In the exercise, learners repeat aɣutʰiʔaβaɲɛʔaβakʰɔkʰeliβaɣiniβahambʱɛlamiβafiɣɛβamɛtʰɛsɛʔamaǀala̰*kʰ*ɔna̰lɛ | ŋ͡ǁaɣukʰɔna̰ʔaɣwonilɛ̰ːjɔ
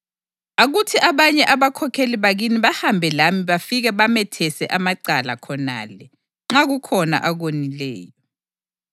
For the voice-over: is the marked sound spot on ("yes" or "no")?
yes